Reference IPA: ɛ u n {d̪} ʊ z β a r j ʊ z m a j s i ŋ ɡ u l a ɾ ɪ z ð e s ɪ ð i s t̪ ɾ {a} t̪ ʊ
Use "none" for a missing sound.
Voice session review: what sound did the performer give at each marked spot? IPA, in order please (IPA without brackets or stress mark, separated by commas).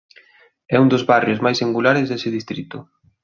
d̪, i